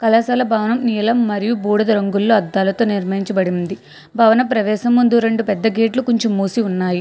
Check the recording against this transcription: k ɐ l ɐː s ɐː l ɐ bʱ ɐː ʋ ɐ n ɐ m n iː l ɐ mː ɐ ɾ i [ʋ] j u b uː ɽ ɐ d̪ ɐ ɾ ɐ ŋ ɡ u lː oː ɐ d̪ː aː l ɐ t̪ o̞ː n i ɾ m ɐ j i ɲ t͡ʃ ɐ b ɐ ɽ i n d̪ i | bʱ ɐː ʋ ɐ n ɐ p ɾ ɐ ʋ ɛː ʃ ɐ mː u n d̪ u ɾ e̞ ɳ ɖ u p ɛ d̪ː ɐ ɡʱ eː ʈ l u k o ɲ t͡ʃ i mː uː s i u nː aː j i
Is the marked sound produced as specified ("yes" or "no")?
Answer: no